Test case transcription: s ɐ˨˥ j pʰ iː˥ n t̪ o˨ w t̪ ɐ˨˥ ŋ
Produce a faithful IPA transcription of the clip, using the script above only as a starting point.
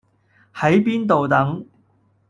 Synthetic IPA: h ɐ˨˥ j p iː˥ n t̪ o˨ w t̪ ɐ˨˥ ŋ